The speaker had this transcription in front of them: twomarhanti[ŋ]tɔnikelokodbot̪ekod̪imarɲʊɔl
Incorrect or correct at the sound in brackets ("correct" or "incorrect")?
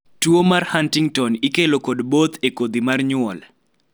correct